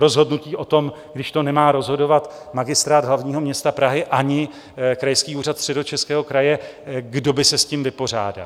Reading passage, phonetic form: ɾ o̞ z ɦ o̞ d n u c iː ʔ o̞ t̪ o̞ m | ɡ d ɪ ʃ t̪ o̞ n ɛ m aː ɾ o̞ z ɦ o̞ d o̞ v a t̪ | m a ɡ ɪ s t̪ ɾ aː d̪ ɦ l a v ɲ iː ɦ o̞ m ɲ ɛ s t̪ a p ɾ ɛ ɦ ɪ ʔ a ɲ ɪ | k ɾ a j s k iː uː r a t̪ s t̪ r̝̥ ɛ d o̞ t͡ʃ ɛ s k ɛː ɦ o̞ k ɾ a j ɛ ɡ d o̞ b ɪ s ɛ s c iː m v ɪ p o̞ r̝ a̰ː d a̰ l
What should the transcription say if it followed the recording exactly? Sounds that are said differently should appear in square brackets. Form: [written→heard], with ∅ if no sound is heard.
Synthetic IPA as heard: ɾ o̞ z ɦ o̞ d n u c iː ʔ o̞ t̪ o̞ m | ɡ d ɪ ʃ t̪ o̞ n ɛ m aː ɾ o̞ z ɦ o̞ d o̞ v a t̪ | m a ɡ ɪ s t̪ ɾ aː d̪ ɦ l a v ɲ iː ɦ o̞ m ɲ ɛ s t̪ a p ɾ [ɛ→a] ɦ ɪ ʔ a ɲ ɪ | k ɾ a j s k iː uː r a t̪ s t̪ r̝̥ ɛ d o̞ t͡ʃ ɛ s k ɛː ɦ o̞ k ɾ a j ɛ ɡ d o̞ b ɪ s ɛ s c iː m v ɪ p o̞ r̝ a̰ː d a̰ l